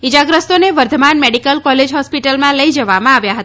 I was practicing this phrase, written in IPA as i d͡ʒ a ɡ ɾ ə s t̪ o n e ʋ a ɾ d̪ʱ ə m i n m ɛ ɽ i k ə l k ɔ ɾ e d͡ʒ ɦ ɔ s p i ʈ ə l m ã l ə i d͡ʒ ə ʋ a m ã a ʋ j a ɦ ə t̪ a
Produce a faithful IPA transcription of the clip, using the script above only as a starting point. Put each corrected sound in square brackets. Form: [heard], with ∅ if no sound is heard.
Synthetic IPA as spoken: i d͡ʒ a ɡ ɾ ə s t̪ o n e ʋ [ə] ɾ d̪ʱ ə m [a] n m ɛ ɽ i k ə l k ɔ [l] e d͡ʒ ɦ ɔ s p i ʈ ə l m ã l ə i d͡ʒ ə ʋ a m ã a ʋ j a ɦ ə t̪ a